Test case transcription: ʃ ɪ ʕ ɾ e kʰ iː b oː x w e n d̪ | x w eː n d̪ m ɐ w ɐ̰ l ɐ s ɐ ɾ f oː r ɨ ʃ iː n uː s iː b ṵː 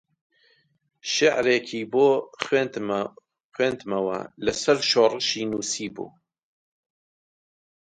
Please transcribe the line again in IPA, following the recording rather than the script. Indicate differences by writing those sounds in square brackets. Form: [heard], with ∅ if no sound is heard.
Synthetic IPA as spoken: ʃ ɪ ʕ ɾ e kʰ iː b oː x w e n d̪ | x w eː n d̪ m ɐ w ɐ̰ l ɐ s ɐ ɾ [ʃ] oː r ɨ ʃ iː n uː s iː b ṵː